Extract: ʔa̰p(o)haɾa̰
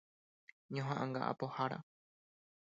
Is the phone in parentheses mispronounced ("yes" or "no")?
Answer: no